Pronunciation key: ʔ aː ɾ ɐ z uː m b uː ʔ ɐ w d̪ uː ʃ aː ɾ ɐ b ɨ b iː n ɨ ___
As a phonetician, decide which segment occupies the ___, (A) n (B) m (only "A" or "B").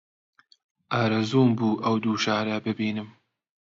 B